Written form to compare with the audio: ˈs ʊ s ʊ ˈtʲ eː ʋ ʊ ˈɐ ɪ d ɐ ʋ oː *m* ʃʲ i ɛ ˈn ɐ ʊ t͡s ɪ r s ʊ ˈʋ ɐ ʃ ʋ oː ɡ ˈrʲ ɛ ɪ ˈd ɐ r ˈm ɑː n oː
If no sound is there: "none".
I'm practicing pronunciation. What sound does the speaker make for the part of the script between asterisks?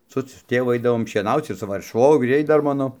m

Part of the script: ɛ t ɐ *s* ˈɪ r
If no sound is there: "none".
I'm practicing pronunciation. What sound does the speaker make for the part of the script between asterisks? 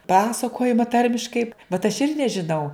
ʃ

